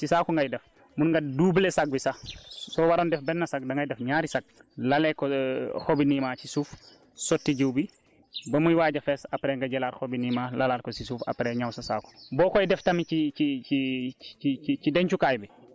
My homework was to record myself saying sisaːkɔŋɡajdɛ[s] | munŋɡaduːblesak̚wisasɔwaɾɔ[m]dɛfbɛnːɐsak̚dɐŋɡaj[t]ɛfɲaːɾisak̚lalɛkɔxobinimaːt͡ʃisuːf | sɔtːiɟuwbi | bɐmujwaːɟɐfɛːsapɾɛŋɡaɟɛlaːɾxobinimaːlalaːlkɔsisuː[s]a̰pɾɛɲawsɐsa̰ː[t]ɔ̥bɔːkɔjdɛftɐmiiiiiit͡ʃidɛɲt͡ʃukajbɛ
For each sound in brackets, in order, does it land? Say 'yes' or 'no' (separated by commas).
no, no, no, no, no